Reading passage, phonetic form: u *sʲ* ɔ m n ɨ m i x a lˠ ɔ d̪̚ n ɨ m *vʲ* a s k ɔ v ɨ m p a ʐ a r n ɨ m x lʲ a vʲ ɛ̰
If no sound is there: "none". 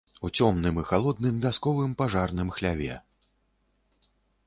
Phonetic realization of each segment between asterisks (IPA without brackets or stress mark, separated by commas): t͡sʲ, vʲ